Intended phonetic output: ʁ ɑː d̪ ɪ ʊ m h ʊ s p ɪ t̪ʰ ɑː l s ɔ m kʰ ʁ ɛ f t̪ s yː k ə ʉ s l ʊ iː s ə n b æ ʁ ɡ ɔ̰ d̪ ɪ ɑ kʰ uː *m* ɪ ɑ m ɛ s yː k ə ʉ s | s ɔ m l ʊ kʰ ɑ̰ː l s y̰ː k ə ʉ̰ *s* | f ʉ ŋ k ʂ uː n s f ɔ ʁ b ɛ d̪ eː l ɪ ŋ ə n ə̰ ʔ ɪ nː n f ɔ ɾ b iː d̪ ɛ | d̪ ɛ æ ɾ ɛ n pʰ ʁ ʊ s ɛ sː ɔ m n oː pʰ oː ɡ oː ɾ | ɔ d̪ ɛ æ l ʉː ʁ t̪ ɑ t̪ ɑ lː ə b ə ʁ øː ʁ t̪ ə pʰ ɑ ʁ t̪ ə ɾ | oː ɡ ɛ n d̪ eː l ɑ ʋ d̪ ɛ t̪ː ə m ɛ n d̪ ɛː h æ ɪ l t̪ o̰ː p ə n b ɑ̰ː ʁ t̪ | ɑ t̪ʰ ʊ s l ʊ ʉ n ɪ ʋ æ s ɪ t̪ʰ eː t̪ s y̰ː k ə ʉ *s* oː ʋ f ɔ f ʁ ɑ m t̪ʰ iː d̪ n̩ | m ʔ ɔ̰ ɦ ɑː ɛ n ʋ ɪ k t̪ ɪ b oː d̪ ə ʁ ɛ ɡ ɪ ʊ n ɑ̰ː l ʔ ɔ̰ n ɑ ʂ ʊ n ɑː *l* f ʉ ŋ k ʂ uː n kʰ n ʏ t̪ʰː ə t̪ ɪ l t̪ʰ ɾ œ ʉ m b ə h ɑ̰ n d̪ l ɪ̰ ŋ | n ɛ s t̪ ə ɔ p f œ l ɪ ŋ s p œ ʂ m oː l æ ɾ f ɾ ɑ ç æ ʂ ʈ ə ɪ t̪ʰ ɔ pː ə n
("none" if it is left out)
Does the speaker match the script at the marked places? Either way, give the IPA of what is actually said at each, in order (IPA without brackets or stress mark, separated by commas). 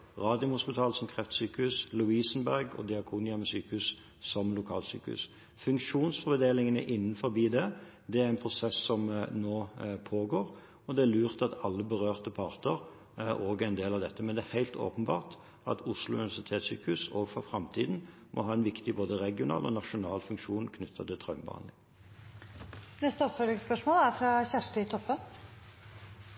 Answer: n, s, s, l